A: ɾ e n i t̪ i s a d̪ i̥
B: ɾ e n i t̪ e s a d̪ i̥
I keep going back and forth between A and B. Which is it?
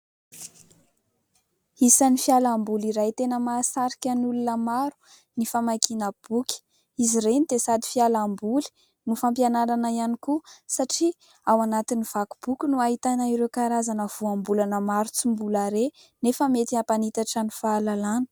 B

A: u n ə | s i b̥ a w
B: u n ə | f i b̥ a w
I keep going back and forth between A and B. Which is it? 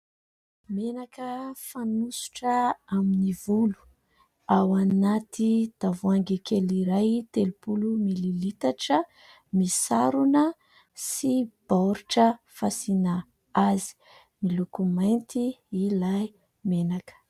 A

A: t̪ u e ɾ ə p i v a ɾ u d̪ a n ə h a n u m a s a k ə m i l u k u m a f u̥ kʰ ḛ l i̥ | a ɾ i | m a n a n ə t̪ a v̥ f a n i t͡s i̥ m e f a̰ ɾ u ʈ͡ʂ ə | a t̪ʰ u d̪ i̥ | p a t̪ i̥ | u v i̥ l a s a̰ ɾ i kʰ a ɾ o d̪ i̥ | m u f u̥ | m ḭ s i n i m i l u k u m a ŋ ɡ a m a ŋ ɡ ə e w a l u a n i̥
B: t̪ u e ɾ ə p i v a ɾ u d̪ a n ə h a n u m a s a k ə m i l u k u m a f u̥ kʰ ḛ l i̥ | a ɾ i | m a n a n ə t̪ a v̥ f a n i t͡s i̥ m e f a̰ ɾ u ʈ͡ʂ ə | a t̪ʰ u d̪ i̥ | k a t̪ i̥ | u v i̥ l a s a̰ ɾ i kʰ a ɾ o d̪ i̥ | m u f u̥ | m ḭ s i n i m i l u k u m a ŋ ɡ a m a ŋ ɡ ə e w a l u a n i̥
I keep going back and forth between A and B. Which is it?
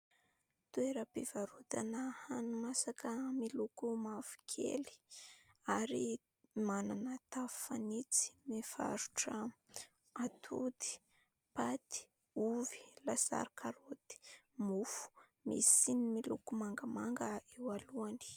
A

